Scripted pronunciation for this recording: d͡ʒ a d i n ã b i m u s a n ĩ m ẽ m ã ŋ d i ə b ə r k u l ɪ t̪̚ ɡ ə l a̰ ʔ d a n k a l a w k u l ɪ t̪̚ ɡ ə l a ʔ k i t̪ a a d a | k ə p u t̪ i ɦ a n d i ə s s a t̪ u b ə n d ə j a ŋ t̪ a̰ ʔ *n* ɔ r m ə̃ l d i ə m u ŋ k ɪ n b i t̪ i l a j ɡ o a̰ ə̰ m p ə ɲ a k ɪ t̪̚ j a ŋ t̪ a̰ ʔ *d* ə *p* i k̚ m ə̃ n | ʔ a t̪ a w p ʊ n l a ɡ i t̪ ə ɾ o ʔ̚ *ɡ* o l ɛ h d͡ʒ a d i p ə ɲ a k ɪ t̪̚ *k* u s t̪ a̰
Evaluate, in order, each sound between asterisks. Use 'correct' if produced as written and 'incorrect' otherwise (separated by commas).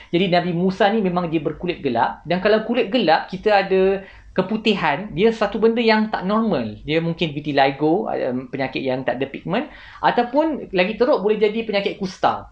correct, correct, correct, incorrect, correct